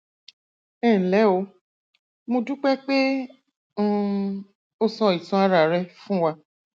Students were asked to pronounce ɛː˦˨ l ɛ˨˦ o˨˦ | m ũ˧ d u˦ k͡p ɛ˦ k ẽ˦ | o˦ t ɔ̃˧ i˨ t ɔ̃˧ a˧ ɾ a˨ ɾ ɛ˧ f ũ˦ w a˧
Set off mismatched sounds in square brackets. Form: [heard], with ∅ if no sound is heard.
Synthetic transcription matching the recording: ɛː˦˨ l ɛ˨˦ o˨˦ | m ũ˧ d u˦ k͡p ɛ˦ [k͡p] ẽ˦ | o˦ [s] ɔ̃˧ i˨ t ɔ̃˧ a˧ ɾ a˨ ɾ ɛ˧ f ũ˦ w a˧